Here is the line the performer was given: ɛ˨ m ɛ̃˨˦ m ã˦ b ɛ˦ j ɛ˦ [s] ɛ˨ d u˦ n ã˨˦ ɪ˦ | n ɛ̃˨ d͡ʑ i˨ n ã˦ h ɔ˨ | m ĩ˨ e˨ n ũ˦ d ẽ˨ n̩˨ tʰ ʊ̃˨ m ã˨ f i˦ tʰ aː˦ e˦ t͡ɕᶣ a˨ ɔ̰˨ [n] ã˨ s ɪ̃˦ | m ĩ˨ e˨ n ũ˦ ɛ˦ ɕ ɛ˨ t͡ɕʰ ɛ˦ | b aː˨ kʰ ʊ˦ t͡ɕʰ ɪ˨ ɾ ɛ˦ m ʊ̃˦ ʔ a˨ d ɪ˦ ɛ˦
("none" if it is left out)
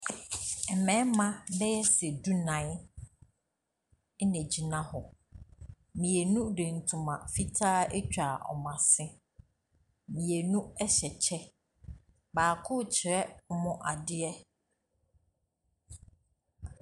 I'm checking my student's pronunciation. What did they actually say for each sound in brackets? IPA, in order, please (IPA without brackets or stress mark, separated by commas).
s, m